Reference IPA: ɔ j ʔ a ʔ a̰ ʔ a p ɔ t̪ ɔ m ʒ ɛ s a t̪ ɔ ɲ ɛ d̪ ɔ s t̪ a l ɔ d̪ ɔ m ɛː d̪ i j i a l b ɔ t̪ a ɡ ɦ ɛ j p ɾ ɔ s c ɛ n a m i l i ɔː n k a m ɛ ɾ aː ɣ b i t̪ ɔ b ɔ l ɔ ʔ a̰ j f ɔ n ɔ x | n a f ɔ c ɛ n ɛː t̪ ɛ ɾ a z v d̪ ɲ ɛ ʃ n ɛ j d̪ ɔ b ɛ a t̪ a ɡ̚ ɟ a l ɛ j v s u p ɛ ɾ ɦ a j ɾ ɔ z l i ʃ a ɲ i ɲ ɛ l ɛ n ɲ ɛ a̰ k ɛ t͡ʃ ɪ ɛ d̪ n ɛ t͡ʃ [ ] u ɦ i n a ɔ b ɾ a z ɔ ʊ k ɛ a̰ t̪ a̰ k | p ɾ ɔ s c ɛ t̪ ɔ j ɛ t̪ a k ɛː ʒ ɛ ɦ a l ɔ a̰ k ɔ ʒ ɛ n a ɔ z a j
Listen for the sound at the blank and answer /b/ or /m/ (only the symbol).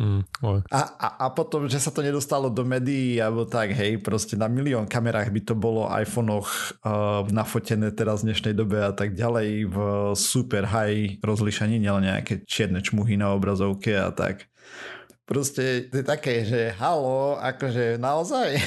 m